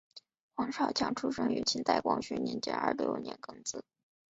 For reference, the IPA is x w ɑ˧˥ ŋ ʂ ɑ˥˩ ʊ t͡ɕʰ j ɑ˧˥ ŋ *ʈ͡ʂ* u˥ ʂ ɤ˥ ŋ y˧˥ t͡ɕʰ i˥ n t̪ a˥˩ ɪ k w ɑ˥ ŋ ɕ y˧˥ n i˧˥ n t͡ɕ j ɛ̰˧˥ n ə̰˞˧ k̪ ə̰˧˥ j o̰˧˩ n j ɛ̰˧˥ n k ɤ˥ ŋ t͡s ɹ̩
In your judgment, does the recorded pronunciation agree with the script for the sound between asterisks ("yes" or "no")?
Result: no